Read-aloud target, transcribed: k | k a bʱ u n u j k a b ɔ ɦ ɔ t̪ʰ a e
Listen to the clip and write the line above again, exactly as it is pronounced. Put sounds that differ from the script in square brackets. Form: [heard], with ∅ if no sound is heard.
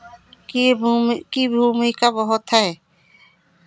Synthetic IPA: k | k [i] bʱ u [m] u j k a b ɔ ɦ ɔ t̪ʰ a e

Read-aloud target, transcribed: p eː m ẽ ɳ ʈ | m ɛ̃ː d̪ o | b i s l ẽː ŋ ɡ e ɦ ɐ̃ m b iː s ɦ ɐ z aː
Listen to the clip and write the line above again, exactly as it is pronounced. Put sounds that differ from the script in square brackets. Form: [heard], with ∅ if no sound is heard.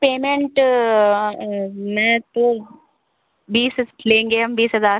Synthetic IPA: p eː m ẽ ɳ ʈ | m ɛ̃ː [t̪] o | b [iː] s l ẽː ŋ ɡ e ɦ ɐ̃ m b iː s ɦ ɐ z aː

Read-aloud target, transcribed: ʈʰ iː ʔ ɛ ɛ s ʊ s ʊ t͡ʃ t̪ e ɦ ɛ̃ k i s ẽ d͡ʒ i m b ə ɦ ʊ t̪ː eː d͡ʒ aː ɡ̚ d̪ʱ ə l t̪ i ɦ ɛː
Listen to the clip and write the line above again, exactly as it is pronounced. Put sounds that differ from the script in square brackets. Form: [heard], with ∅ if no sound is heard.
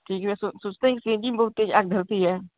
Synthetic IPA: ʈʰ iː [k] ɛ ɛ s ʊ s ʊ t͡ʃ t̪ e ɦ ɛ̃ k i s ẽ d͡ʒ i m b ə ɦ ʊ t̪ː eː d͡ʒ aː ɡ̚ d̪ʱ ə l t̪ i ɦ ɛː

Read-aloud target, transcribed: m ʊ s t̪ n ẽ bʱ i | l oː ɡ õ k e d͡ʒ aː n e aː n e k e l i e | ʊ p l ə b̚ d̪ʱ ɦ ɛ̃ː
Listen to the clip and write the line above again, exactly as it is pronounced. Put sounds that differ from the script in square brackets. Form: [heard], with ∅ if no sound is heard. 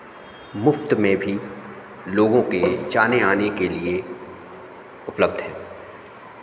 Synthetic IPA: m ʊ [f] t̪ [m] ẽ bʱ i | l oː ɡ õ k e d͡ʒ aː n e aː n e k e l i e | ʊ p l ə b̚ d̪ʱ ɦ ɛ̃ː

